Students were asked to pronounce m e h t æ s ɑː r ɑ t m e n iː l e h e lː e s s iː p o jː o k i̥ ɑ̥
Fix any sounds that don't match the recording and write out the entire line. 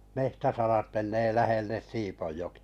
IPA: m e h t æ s ɑ r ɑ t m e n eː l æ h e lː e s s iː p o jː o k i̥ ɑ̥